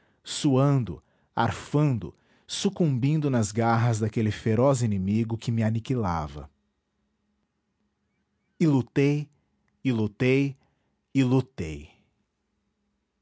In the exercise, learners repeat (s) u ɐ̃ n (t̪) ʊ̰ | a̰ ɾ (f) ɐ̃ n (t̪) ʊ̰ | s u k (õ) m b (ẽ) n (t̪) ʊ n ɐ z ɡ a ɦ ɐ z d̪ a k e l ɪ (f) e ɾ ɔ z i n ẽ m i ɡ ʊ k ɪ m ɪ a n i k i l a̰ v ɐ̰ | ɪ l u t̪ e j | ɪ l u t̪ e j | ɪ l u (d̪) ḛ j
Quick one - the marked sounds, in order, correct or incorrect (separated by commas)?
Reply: correct, incorrect, correct, incorrect, incorrect, incorrect, incorrect, correct, incorrect